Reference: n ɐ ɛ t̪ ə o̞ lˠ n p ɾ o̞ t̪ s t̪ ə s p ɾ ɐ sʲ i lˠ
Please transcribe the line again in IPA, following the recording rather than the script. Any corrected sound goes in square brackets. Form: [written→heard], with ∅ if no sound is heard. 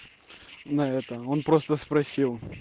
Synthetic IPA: n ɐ ɛ t̪ ə o̞ [lˠ→∅] n p ɾ o̞ [t̪→∅] s t̪ ə s p ɾ ɐ sʲ i lˠ